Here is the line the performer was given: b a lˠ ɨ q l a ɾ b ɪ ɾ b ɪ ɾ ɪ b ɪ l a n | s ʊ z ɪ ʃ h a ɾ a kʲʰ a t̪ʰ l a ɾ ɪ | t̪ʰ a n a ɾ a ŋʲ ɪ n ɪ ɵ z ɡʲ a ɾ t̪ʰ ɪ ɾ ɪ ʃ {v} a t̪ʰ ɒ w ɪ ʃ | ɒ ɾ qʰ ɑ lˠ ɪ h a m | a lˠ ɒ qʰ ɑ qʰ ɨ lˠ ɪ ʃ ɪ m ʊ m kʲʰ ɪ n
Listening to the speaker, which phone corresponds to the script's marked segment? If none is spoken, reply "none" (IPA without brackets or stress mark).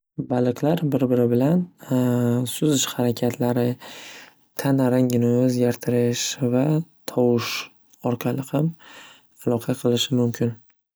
v